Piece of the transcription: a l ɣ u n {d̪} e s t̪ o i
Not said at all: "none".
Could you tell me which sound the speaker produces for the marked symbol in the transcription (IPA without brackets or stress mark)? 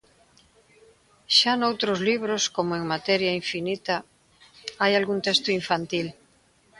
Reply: t̪